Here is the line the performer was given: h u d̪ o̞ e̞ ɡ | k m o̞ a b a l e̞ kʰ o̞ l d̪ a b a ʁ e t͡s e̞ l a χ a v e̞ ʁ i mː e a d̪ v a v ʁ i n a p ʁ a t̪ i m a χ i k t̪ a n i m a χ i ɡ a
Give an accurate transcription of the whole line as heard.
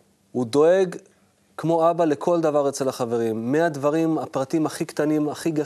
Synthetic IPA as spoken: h u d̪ o̞ e̞ ɡ | k m o̞ a b a l e̞ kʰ o̞ l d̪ a v a ʁ e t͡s e̞ l a χ a v e̞ ʁ i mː e a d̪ v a ʁ i m a p ʁ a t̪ i m a χ i k t̪ a n i m a χ i ɡ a